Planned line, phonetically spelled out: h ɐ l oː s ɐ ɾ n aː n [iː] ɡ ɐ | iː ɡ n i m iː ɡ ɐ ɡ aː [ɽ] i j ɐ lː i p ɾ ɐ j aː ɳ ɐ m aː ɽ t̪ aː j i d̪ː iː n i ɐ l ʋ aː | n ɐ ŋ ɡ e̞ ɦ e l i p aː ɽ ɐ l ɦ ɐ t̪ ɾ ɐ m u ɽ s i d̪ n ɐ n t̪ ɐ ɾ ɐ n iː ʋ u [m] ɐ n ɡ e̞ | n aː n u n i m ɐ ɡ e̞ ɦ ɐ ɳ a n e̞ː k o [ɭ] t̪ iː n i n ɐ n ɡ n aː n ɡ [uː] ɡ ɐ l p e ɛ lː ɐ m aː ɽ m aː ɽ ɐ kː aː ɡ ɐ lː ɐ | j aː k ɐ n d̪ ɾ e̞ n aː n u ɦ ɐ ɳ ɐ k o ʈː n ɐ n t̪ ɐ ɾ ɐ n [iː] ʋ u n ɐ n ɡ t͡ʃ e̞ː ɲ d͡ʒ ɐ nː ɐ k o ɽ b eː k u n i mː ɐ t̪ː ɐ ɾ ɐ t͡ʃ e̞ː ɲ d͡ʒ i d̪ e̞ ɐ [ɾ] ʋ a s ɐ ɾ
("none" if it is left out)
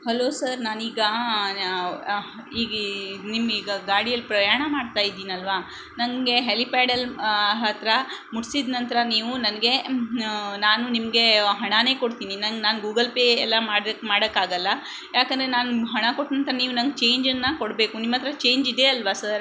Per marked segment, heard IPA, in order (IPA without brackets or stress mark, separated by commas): iː, ɽ, n, ɽ, uː, iː, l